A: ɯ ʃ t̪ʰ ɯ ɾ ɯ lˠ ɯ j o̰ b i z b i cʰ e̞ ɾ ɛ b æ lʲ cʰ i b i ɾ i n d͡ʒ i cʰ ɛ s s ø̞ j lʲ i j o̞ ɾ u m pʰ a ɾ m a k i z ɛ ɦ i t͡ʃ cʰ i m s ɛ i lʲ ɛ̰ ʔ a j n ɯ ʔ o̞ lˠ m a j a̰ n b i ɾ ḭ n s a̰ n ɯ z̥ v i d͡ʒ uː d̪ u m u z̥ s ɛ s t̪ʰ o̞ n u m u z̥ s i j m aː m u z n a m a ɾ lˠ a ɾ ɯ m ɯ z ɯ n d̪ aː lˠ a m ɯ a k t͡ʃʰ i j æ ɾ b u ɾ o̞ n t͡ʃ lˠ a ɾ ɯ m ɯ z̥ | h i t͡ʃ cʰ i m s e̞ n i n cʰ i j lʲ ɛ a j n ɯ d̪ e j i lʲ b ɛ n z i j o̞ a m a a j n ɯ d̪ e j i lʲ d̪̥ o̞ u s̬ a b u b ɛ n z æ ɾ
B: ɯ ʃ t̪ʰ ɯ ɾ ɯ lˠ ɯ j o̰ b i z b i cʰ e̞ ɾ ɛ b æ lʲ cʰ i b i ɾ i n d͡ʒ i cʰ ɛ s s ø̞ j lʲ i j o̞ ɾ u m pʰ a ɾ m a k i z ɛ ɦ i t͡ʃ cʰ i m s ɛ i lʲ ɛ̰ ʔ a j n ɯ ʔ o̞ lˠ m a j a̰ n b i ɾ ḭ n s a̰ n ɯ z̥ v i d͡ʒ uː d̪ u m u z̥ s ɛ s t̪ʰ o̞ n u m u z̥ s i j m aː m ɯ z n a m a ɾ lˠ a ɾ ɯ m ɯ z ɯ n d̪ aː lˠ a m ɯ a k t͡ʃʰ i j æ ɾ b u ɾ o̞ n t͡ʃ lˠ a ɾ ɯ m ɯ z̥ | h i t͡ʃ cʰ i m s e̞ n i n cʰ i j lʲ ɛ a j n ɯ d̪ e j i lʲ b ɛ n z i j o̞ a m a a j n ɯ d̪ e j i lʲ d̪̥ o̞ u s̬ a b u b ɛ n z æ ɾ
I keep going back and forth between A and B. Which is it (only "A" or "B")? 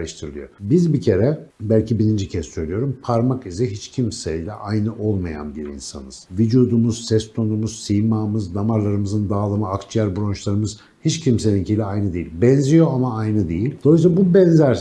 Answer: B